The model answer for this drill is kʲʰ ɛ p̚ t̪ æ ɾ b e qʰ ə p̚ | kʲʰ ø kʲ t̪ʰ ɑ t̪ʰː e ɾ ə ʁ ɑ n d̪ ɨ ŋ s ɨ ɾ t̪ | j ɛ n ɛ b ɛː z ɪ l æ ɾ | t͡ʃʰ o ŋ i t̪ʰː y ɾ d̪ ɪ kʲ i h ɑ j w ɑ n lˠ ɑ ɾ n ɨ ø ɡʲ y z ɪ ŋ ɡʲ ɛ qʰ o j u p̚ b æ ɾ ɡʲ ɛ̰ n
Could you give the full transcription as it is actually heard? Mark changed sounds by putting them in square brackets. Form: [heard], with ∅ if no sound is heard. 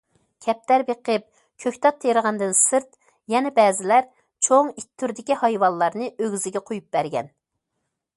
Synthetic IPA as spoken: kʲʰ ɛ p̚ t̪ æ ɾ b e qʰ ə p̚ | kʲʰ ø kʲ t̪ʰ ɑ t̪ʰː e ɾ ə ʁ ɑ n d̪ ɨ [n] s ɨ ɾ t̪ | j ɛ n ɛ b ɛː z ɪ l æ ɾ | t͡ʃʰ o ŋ i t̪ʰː y ɾ d̪ ɪ kʲ i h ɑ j w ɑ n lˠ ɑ ɾ n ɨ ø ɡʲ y z ɪ [∅] ɡʲ ɛ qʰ o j u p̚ b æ ɾ ɡʲ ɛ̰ n